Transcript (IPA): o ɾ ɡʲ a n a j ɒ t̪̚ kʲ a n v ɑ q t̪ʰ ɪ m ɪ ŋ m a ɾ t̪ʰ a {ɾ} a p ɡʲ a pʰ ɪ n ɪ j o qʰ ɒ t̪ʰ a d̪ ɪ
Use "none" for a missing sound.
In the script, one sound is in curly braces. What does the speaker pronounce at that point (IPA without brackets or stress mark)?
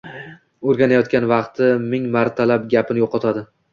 l